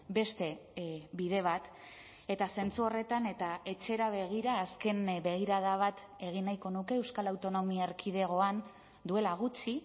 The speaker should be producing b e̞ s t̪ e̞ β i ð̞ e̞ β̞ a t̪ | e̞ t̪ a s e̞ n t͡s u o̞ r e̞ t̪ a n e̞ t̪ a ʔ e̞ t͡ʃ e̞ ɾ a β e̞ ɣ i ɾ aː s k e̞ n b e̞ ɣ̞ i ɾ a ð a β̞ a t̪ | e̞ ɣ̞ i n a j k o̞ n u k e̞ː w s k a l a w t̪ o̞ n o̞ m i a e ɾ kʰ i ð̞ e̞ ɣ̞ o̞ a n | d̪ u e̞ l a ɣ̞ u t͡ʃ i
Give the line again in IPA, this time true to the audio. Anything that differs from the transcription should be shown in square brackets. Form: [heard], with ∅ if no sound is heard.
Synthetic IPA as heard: b e̞ s t̪ e̞ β i ð̞ e̞ β̞ a t̪ | e̞ t̪ a s e̞ n t͡s u o̞ r e̞ t̪ a n e̞ t̪ a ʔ e̞ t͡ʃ e̞ ɾ a β e̞ ɣ i ɾ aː s k e̞ n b e̞ ɣ̞ i ɾ a ð a β̞ a t̪ | e̞ ɣ̞ i n a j k o̞ n u k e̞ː w s k a l a w t̪ o̞ n o̞ m i a e ɾ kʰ i ð̞ e̞ ɣ̞ o̞ a n | d̪ u e̞ l a ɣ̞ u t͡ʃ i